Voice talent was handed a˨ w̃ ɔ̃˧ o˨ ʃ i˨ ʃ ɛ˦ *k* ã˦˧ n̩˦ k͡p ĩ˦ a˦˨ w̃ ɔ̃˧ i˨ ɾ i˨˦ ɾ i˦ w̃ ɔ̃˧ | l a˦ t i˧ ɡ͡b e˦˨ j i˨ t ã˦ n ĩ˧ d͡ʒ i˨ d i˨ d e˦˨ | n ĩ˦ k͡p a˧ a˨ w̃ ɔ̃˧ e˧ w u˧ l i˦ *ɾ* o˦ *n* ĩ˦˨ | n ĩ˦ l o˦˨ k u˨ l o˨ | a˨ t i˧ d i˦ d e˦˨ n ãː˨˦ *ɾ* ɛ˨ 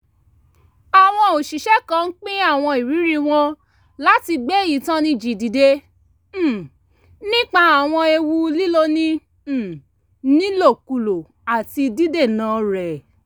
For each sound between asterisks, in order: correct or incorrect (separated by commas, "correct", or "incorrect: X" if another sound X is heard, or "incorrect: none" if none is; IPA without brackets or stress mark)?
correct, incorrect: l, correct, correct